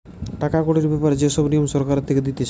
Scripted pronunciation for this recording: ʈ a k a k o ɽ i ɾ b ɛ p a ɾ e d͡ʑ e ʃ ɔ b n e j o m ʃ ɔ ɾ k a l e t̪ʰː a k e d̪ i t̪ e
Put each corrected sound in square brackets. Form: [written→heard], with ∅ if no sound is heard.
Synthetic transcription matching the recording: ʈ a k a k o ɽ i ɾ b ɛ p a ɾ e d͡ʑ e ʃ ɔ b n [e→i] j o m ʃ ɔ ɾ k a [l→ɾ] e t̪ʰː [a→e] k e d̪ i t̪ e